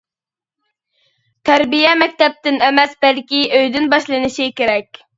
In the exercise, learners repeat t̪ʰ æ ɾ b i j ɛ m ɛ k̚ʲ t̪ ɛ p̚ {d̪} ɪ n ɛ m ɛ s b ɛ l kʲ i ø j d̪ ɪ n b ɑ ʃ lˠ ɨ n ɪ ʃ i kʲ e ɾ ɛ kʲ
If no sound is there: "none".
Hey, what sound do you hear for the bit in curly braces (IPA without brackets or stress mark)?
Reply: t̪